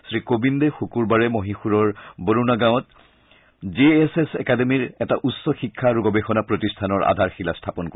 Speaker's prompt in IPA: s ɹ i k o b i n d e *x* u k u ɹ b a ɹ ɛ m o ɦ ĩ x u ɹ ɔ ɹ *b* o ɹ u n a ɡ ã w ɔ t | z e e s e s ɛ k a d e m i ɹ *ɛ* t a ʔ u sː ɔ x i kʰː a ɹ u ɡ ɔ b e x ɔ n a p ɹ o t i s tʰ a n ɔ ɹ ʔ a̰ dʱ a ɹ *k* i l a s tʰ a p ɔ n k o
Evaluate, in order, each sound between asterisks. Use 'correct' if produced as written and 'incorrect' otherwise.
correct, correct, correct, incorrect: x

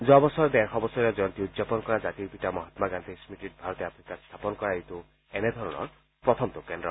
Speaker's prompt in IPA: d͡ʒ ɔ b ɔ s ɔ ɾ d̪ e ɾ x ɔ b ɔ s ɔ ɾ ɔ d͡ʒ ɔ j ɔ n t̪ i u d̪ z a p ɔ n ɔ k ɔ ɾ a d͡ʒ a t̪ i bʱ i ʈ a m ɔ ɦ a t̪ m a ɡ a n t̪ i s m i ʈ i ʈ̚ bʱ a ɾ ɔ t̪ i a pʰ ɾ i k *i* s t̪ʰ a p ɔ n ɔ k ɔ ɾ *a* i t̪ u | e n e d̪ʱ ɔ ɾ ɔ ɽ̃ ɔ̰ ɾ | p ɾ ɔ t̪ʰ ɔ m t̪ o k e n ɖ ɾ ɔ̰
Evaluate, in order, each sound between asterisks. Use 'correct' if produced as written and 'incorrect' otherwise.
incorrect: a, correct

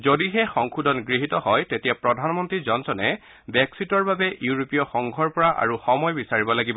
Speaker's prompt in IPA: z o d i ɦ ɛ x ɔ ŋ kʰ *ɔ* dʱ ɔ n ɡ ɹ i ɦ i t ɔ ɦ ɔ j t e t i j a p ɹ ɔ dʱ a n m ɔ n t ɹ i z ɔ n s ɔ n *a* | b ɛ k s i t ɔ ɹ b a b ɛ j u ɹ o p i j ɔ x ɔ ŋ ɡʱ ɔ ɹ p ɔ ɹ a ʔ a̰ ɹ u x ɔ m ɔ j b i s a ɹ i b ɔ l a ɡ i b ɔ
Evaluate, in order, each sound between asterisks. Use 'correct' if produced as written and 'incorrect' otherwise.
incorrect: u, incorrect: ɛ

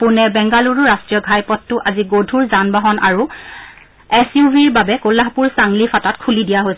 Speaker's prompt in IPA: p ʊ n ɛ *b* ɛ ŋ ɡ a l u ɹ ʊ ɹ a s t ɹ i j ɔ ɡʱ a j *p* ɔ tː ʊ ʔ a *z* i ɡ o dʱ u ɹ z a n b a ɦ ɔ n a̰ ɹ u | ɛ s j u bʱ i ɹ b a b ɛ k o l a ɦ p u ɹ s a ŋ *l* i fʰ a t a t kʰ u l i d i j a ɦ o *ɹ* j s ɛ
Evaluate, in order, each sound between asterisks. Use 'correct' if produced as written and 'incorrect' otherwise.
correct, correct, correct, correct, incorrect: none

